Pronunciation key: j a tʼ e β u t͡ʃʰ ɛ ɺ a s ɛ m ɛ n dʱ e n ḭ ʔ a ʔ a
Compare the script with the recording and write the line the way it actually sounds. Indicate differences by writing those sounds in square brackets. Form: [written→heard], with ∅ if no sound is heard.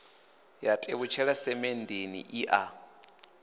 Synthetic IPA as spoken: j a tʼ e β u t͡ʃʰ ɛ ɺ a s ɛ m ɛ n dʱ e n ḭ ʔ [a→i] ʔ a